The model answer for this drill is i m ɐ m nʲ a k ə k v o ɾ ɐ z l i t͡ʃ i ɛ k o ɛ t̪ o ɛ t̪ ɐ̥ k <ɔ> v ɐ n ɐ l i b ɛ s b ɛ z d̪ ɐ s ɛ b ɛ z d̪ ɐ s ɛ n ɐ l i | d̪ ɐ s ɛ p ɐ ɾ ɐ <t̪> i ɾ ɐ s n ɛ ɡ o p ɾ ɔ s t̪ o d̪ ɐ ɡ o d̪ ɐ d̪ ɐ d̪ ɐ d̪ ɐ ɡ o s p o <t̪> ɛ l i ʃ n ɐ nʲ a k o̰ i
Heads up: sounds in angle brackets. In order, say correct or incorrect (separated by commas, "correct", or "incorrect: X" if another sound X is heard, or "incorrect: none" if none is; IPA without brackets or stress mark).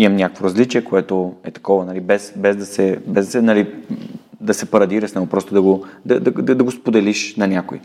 correct, incorrect: d̪, incorrect: d̪